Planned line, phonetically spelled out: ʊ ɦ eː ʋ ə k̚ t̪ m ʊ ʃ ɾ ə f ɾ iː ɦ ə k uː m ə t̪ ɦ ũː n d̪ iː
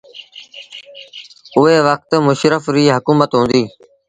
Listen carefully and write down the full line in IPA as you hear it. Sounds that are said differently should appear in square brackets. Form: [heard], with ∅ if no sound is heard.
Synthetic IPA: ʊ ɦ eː ʋ ə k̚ t̪ m ʊ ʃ ɾ ə f ɾ iː ɦ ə k uː m ə t̪ ɦ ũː n d̪ iː